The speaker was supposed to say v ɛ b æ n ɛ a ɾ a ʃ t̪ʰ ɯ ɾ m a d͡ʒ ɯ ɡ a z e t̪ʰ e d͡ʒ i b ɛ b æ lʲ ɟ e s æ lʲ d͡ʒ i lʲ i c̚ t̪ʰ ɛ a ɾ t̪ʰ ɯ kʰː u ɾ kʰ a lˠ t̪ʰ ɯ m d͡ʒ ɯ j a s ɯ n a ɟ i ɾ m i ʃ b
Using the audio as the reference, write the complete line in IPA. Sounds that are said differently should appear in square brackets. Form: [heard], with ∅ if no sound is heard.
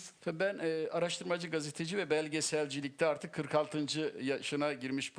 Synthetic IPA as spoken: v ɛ b æ n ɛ a ɾ a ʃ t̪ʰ ɯ ɾ m a d͡ʒ ɯ ɡ a z e t̪ʰ e d͡ʒ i [v] ɛ b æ lʲ ɟ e s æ lʲ d͡ʒ i lʲ i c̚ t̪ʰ ɛ a ɾ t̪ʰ ɯ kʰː [ɯ] ɾ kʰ a lˠ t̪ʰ ɯ [n] d͡ʒ ɯ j a [ʃ] ɯ n a ɟ i ɾ m i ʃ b

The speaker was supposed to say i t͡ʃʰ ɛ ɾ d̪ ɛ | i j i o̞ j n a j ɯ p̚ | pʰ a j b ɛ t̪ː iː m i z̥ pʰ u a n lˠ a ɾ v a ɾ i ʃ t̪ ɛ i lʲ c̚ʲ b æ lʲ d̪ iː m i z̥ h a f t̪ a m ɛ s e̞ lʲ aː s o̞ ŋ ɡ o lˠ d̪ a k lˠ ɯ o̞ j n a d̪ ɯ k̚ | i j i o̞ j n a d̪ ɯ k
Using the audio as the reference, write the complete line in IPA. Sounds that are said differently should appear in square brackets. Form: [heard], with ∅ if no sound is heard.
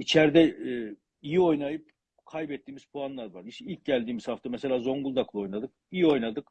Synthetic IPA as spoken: i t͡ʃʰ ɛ ɾ d̪ ɛ | i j i o̞ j n a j ɯ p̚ | [kʰ] a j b ɛ t̪ː iː m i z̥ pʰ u a n lˠ a ɾ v a ɾ i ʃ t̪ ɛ i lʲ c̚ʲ [ɟ] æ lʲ d̪ iː m i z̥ h a f t̪ a m ɛ s e̞ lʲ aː [z] o̞ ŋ ɡ [u] lˠ d̪ a k lˠ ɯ o̞ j n a d̪ ɯ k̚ | i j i o̞ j n a d̪ ɯ k

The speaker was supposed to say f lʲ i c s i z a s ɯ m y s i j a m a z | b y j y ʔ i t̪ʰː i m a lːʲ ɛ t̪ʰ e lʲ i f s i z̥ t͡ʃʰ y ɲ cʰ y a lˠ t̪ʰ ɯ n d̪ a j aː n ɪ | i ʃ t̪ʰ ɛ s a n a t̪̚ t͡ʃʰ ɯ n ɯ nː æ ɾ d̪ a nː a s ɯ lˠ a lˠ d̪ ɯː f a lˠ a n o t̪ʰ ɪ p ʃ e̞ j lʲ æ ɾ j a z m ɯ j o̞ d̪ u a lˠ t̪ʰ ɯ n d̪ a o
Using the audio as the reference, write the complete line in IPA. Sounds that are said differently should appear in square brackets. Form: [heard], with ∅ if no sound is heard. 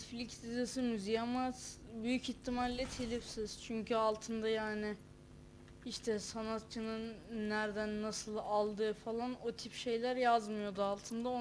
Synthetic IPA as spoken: f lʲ i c s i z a s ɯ m y [z] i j a m a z | b y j y [c] i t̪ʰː i m a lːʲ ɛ t̪ʰ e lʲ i f s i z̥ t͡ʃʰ y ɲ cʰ y a lˠ t̪ʰ ɯ n d̪ a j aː n ɪ | i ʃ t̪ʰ ɛ s a n a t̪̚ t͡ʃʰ ɯ n ɯ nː æ ɾ d̪ [æ] nː a s ɯ lˠ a lˠ d̪ ɯː f a lˠ a n o t̪ʰ [i] p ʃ e̞ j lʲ æ ɾ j a z m ɯ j o̞ d̪ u a lˠ t̪ʰ ɯ n d̪ a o

